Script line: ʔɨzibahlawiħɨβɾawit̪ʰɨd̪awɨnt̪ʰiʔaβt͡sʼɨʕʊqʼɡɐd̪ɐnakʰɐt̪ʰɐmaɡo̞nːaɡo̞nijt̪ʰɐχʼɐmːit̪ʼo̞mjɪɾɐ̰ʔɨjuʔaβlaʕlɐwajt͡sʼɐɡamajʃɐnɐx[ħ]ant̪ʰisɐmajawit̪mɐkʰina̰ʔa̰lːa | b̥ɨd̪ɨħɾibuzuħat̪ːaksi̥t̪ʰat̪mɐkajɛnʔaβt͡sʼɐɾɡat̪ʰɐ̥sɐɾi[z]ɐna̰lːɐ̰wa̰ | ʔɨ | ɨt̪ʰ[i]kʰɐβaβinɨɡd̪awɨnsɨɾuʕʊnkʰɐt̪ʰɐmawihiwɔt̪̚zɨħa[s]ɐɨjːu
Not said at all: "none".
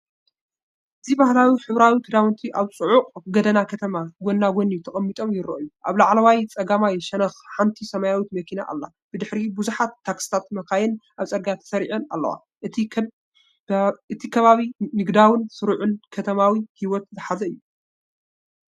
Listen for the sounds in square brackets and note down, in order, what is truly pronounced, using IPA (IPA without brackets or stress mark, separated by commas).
ħ, ʕ, i, z